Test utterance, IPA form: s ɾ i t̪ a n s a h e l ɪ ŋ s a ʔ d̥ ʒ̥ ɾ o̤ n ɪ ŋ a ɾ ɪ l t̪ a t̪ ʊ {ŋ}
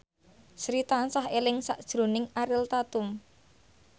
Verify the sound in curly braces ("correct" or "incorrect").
incorrect